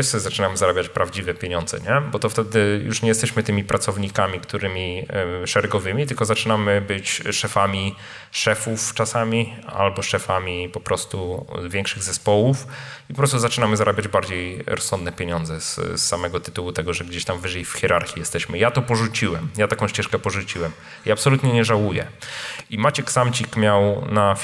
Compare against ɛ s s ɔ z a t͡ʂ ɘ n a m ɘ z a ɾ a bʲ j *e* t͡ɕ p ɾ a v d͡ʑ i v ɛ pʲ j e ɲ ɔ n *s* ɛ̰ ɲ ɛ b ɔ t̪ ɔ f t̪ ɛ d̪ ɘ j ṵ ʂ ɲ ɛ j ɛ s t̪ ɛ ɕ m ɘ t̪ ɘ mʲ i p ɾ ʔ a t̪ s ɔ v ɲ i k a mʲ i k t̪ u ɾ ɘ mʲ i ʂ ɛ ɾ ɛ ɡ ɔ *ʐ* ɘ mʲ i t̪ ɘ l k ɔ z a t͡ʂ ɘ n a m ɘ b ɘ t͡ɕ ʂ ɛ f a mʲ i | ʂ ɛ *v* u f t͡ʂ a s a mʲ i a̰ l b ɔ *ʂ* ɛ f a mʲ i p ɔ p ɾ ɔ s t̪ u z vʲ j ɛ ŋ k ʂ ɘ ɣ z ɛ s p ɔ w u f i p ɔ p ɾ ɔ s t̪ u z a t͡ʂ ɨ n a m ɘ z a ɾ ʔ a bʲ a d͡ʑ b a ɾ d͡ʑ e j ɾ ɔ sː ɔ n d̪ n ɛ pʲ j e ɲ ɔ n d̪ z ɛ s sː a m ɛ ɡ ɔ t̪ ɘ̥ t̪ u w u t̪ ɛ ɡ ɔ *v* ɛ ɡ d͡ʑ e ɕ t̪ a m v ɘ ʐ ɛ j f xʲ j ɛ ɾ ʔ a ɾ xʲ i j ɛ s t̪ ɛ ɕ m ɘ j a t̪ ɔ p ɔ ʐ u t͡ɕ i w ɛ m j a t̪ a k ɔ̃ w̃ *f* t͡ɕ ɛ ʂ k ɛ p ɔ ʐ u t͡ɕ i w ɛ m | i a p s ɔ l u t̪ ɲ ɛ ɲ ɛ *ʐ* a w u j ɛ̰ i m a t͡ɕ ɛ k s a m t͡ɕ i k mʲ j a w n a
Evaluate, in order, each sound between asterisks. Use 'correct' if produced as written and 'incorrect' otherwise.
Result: incorrect, incorrect, incorrect, incorrect, correct, incorrect, incorrect, correct

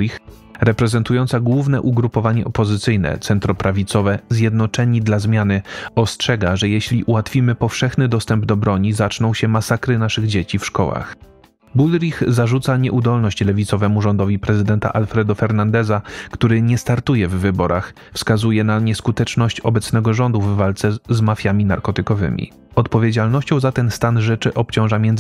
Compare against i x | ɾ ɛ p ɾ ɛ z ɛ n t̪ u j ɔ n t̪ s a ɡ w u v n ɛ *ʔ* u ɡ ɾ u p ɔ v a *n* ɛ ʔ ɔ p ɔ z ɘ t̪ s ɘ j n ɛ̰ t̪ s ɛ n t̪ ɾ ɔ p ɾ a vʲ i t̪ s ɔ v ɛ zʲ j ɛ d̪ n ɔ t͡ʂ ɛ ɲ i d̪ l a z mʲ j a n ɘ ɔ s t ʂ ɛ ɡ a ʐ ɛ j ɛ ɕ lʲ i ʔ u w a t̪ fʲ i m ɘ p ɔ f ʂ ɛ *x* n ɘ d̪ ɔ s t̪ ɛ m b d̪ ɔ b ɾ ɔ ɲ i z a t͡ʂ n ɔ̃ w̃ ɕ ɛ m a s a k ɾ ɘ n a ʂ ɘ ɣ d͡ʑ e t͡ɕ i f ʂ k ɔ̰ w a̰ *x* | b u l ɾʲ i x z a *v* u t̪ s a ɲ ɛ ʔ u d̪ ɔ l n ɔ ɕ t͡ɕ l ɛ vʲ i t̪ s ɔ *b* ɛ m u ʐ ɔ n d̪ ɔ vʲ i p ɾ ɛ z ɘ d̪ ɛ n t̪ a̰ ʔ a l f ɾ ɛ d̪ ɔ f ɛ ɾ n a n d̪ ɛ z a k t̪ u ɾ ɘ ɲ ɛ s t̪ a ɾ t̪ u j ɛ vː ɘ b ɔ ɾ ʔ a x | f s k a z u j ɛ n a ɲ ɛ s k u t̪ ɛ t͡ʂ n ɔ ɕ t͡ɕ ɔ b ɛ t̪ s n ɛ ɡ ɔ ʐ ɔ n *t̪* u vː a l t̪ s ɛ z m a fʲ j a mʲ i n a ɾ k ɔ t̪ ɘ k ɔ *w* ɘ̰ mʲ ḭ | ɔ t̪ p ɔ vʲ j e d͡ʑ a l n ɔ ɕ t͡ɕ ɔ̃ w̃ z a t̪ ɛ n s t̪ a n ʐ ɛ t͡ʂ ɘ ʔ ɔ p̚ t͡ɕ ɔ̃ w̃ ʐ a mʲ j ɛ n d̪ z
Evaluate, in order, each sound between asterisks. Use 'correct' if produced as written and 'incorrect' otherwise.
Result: correct, incorrect, correct, correct, incorrect, incorrect, incorrect, incorrect

